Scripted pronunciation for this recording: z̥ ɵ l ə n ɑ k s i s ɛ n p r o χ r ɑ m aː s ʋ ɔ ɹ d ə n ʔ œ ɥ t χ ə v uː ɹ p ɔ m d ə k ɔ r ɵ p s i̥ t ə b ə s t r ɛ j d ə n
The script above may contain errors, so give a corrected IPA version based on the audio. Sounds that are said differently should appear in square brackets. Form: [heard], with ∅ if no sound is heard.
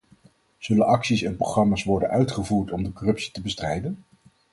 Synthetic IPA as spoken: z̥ ɵ l ə n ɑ k s i s ɛ n p r o χ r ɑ m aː s ʋ ɔ ɹ d ə n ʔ œ ɥ t χ ə v uː ɹ [t] ɔ m d ə k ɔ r ɵ p s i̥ t ə b ə s t r ɛ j d ə n